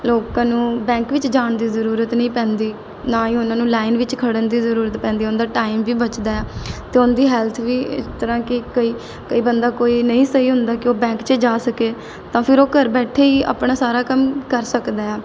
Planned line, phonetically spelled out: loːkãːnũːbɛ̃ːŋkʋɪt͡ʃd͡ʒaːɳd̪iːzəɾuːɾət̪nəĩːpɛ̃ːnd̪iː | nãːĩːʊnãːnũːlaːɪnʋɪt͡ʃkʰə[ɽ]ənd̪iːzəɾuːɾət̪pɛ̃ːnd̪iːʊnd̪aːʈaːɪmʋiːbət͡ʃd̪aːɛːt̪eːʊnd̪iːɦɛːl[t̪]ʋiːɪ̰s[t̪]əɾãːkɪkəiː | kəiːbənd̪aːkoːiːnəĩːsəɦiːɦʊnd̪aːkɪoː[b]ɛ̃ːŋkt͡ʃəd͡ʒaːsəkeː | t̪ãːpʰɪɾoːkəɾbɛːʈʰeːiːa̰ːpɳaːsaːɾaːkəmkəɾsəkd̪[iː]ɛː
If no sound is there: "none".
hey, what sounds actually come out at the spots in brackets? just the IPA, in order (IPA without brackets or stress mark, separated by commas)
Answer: ɽ, t̪ʰ, t̪, b, aː